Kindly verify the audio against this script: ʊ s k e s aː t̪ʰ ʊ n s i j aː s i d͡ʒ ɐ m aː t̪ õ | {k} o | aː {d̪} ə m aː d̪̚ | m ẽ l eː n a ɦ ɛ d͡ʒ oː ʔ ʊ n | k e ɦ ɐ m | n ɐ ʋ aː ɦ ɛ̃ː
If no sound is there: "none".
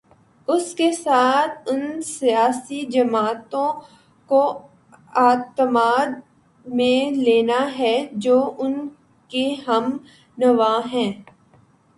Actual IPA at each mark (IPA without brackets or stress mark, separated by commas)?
k, t̪